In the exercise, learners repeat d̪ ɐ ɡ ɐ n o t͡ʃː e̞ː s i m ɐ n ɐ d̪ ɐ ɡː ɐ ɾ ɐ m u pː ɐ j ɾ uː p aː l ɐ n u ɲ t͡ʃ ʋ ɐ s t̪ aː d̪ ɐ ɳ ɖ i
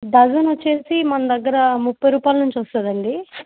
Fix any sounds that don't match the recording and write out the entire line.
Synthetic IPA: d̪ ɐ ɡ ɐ n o t͡ʃː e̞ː s i m ɐ n ɐ d̪ ɐ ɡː ɐ ɾ ɐ m u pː ɐ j ɾ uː p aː l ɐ n u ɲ t͡ʃ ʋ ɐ s t̪ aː d̪ ɐ ɳ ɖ i